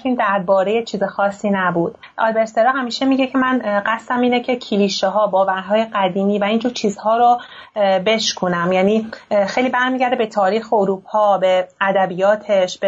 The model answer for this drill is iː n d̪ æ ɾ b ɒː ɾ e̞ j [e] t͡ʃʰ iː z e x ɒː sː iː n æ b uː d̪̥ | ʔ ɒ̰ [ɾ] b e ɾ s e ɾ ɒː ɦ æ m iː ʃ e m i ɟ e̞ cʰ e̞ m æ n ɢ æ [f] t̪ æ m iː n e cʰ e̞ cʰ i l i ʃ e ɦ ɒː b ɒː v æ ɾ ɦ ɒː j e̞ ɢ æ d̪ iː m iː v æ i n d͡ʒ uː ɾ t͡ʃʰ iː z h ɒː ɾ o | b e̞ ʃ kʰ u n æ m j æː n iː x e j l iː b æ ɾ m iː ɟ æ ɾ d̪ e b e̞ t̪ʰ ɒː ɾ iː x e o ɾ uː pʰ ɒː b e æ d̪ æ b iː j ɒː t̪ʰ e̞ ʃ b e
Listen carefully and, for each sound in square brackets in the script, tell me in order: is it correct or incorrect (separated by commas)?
correct, incorrect, incorrect